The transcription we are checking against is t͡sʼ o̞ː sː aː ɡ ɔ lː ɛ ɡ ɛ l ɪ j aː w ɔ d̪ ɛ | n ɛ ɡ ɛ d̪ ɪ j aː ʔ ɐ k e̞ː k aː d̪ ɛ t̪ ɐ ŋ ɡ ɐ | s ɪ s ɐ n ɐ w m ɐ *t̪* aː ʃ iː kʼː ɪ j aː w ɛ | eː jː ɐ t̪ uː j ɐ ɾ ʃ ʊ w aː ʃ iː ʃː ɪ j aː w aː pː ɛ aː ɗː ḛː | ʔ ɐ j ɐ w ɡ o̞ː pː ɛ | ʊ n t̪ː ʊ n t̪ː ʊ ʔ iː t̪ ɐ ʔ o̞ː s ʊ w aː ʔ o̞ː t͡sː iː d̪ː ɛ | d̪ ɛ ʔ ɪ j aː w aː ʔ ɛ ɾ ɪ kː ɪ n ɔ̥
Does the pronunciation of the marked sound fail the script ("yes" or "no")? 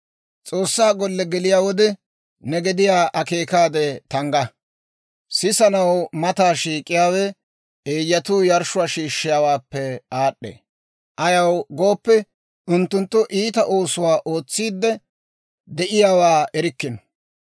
no